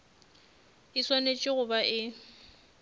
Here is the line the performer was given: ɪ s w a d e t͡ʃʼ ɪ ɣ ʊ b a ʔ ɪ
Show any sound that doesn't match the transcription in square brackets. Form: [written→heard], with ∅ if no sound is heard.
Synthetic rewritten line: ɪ s w a [d→n] e t͡ʃʼ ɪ ɣ ʊ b a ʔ ɪ

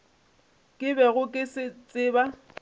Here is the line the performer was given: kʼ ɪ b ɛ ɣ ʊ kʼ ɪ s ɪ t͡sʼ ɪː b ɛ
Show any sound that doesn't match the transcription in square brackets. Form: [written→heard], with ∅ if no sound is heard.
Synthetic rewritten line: kʼ ɪ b ɛ ɣ ʊ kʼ ɪ s ɪ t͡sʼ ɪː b [ɛ→a]

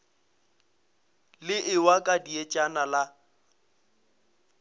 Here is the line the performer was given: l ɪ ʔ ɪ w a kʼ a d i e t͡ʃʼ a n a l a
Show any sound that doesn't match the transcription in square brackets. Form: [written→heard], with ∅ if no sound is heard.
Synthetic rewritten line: l ɪ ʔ ɪ w a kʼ a d i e t͡ʃʼ a n a l a

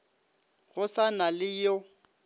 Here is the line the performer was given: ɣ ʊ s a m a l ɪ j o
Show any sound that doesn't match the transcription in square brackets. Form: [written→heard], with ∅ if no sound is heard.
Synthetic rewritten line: ɣ ʊ s a [m→n] a l ɪ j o

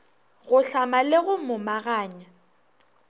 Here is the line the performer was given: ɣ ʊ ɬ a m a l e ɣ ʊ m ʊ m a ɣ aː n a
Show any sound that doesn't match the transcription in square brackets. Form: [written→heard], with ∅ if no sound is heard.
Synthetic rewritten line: ɣ ʊ ɬ a m a l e ɣ ʊ m ʊ m a ɣ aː [n→ɲ] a

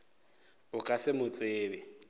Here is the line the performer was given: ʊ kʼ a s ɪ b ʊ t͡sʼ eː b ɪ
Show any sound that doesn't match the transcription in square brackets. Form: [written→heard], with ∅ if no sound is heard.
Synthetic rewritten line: ʊ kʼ a s ɪ [b→m] ʊ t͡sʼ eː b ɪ

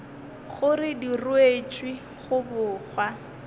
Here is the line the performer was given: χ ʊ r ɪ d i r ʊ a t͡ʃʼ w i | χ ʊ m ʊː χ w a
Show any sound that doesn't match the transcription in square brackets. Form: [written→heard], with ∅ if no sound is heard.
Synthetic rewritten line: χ ʊ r ɪ d i r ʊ [a→e] t͡ʃʼ w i | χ ʊ [m→b] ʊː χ w a

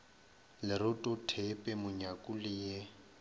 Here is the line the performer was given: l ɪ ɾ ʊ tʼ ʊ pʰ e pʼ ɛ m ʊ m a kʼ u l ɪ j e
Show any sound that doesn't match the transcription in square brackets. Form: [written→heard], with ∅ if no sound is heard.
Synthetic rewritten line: l ɪ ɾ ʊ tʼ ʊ [pʰ→tʰ] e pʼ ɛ m ʊ [m→ɲ] a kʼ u l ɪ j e

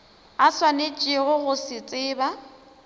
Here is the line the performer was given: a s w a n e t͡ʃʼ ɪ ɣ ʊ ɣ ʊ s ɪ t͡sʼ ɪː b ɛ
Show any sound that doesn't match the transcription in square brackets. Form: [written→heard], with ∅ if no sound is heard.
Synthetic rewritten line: a s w a n e t͡ʃʼ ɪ ɣ ʊ ɣ ʊ s ɪ t͡sʼ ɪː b [ɛ→a]

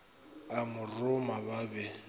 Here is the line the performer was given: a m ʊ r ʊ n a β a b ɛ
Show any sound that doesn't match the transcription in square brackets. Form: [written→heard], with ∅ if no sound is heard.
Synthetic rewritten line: a m ʊ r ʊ [n→m] a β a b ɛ

